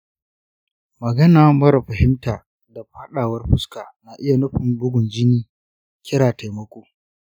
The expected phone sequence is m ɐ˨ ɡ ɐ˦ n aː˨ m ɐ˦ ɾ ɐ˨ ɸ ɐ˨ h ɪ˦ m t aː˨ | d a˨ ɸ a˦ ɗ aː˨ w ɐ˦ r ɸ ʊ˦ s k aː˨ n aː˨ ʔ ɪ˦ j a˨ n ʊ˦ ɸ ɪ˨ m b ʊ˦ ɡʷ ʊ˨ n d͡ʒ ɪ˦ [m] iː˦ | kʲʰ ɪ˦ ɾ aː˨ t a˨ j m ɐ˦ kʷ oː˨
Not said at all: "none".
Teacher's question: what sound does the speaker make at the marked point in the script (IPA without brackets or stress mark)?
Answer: n